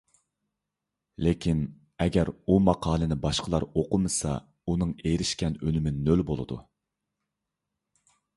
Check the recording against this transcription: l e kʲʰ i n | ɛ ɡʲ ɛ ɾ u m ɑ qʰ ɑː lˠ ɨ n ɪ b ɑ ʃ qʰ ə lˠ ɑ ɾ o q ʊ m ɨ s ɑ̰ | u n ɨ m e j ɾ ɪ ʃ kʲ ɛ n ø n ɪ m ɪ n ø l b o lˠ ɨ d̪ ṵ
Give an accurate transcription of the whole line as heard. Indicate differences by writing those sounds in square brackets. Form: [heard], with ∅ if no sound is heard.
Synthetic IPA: l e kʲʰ i n | ɛ ɡʲ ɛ ɾ u m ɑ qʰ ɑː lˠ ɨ n ɪ b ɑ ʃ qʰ ə lˠ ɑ ɾ o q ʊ m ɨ s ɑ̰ | u n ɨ [ŋ] e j ɾ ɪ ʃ kʲ ɛ n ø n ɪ m ɪ n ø l b o lˠ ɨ d̪ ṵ